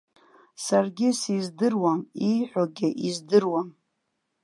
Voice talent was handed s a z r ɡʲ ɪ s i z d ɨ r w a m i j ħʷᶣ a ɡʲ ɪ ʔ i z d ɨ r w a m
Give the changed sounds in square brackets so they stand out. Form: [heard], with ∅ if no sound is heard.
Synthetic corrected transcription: s a [∅] r ɡʲ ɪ s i z d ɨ r w a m i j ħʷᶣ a ɡʲ ɪ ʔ i z d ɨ r w a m